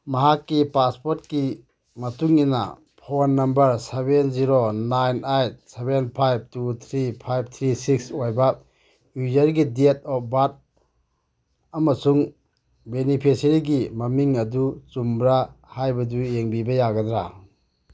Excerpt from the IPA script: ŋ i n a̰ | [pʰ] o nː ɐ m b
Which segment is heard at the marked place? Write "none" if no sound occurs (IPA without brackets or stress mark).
pʰ